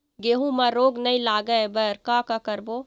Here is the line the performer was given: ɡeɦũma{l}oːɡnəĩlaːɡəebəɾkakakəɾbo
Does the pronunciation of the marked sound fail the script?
yes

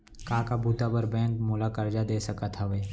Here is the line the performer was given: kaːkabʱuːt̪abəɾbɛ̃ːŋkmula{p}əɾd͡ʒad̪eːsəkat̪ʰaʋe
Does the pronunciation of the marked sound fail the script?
yes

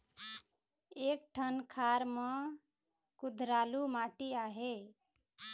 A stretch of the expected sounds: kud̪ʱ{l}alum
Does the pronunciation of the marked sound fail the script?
yes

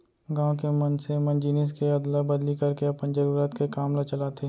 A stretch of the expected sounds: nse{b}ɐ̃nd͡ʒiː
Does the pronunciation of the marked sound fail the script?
yes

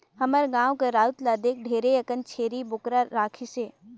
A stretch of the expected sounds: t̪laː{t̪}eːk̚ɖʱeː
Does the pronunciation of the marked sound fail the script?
yes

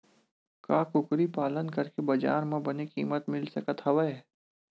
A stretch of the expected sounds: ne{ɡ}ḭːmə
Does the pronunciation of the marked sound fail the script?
yes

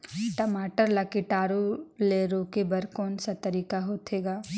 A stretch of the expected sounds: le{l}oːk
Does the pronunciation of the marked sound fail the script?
yes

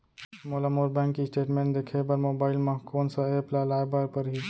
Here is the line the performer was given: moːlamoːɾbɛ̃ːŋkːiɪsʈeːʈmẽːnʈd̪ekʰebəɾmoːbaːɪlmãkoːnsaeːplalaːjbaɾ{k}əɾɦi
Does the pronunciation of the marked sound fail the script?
yes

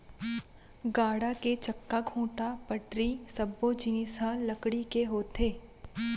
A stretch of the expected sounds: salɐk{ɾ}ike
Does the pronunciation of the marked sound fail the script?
yes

